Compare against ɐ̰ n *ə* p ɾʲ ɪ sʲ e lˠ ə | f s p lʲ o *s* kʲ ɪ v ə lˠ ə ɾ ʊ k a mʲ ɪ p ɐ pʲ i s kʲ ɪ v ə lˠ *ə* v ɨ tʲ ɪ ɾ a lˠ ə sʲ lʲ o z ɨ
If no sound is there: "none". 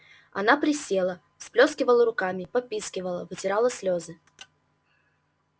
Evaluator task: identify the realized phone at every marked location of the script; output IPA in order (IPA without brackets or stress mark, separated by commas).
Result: a, s, ə